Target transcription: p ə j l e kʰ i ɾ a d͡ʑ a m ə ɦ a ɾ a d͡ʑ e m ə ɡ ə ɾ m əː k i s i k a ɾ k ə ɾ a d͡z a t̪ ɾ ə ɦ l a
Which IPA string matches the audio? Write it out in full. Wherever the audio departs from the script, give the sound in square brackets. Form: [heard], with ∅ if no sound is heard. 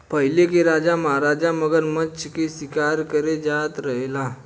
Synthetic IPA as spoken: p ə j l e [k] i ɾ a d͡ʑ a m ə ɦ a ɾ a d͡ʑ [a] m ə ɡ ə ɾ m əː k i s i k a ɾ k ə ɾ [e] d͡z a t̪ ɾ ə ɦ l a